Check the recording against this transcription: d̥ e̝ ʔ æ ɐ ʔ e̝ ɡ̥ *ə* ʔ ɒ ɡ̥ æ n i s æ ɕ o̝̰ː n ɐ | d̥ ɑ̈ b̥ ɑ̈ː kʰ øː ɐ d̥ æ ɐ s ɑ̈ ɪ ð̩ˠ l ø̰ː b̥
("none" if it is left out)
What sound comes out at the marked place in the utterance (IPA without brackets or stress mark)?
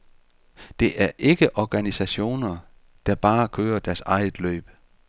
ə